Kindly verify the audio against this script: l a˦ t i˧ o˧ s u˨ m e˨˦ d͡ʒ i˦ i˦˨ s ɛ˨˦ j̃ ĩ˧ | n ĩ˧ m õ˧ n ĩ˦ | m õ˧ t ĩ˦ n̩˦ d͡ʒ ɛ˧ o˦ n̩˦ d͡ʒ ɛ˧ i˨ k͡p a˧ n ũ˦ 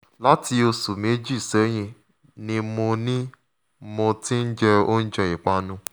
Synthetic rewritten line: l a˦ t i˧ o˧ s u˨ m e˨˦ d͡ʒ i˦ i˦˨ s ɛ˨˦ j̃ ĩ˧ | n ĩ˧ m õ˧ n ĩ˦ | m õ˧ t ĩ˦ n̩˦ d͡ʒ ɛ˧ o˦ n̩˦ d͡ʒ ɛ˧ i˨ k͡p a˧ n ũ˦